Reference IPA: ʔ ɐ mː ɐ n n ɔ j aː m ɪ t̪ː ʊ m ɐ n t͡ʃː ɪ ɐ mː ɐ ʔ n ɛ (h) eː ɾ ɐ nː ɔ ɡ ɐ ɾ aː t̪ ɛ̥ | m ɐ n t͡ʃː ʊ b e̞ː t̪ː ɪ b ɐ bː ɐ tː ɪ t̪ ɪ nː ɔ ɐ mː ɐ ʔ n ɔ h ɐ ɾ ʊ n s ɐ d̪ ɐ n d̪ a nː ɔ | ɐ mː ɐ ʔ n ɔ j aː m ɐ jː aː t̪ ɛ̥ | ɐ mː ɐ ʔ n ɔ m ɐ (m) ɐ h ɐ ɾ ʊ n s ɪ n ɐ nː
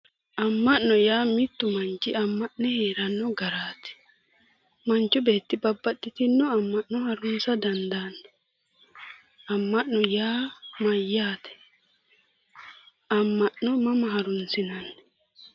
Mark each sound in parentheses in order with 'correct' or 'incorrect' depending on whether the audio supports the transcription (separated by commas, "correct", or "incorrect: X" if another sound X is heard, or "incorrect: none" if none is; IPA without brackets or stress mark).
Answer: correct, correct